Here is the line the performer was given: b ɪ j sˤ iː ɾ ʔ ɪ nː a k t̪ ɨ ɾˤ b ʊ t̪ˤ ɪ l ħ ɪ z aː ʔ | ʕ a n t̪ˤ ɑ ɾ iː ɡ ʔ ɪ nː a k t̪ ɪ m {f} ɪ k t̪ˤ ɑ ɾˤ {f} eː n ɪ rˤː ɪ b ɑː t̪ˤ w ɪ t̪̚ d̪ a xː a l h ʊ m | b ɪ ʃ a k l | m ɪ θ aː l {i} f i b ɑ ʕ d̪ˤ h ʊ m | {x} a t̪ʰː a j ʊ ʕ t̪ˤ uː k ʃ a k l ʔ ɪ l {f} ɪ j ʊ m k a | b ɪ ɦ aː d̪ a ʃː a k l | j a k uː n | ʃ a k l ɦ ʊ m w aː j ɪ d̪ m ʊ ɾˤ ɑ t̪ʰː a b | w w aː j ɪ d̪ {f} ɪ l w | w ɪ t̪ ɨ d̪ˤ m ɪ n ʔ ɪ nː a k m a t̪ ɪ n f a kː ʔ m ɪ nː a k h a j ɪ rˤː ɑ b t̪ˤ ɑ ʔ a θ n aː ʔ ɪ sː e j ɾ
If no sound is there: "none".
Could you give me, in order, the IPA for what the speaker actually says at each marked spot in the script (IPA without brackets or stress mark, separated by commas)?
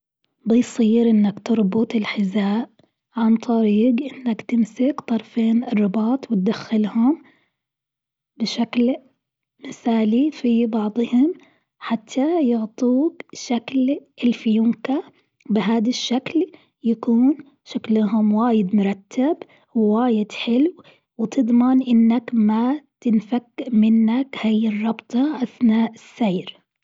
s, f, i, ħ, f, ħ